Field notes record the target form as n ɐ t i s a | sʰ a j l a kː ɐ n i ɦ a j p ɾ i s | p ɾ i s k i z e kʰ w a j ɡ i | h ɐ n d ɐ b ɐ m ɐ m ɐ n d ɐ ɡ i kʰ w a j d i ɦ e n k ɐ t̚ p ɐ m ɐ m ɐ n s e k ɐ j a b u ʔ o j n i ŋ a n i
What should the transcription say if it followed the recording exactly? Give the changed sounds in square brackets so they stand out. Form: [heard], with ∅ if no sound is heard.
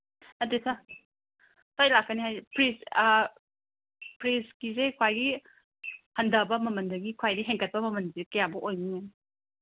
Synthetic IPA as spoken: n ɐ t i s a | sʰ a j l a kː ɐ n i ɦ a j p ɾ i s | p ɾ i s k i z e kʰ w a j ɡ i | h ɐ n d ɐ b ɐ m ɐ m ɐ n d ɐ ɡ i kʰ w a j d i ɦ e [ŋ] k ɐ t̚ p ɐ m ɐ m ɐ n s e k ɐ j a b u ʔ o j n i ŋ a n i